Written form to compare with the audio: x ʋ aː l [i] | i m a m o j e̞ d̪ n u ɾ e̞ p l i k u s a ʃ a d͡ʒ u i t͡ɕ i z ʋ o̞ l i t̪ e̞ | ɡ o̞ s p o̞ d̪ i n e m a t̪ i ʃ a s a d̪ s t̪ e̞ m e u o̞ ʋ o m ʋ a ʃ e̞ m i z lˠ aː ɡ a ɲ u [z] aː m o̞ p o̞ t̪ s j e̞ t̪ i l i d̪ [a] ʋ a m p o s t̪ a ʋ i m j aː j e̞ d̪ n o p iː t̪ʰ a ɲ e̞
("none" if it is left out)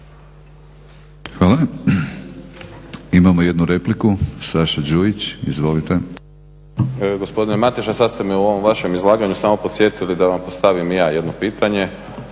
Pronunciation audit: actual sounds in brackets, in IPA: a, s, a

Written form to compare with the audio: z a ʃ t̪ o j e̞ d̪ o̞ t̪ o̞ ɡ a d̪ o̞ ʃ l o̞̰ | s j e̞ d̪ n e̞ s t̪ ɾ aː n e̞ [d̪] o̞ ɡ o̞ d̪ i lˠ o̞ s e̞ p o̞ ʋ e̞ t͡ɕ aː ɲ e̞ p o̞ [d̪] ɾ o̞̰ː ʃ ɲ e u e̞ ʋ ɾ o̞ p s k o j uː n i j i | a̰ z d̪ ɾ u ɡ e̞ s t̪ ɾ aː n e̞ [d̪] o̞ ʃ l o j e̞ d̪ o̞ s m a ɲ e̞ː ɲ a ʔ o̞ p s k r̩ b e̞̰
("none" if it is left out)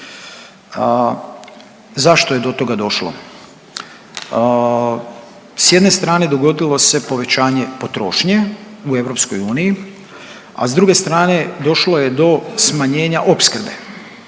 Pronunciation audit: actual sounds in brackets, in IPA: d̪, t̪, d̪

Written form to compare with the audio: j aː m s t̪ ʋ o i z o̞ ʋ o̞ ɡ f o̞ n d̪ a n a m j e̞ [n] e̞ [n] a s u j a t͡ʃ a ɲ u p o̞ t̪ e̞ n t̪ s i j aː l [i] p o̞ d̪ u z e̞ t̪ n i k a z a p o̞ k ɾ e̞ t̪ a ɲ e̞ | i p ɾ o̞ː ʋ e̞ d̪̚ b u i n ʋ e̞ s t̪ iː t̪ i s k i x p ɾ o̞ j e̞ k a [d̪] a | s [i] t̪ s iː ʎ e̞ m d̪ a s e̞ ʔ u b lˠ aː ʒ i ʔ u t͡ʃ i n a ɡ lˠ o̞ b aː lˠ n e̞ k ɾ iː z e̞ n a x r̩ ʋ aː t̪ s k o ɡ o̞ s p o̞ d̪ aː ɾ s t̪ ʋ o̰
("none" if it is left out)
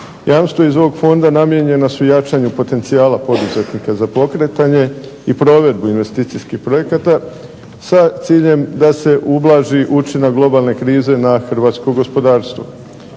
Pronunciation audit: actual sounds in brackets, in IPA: ɲ, n, a, t̪, a

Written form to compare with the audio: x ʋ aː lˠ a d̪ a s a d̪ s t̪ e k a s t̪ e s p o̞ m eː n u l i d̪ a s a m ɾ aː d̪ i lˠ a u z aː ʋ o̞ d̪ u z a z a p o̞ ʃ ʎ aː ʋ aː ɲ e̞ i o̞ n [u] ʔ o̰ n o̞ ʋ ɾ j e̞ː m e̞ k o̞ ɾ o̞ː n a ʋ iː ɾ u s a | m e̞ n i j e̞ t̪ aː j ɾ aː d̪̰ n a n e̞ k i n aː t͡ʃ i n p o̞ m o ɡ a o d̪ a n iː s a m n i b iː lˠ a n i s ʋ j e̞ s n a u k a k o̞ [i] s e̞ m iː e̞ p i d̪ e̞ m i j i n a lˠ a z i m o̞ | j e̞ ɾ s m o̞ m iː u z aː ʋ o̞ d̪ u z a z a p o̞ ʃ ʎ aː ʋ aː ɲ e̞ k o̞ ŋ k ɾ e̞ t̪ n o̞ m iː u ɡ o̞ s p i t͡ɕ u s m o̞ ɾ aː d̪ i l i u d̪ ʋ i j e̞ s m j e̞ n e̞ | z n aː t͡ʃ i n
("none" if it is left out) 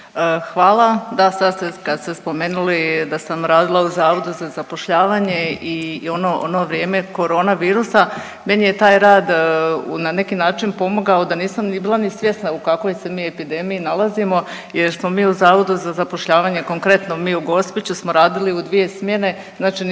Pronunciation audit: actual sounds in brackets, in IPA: o, j

